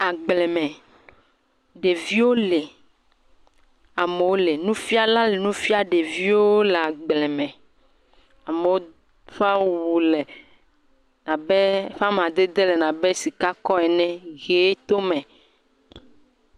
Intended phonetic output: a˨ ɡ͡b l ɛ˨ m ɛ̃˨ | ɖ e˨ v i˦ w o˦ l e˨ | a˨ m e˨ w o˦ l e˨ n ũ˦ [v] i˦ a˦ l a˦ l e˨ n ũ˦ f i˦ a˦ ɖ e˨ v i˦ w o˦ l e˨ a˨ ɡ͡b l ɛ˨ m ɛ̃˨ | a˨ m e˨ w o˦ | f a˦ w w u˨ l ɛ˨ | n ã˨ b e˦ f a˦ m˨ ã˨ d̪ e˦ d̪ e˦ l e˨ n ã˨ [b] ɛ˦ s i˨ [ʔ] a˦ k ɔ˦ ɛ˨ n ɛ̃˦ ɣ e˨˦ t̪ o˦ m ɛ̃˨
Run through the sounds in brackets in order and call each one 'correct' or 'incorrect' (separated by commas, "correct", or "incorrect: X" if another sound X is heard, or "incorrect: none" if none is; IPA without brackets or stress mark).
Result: incorrect: f, correct, incorrect: k